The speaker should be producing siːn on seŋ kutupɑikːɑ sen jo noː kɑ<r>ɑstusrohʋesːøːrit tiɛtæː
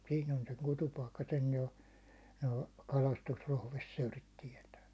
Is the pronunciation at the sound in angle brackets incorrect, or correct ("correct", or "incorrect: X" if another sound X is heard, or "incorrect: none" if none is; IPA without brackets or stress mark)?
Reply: incorrect: l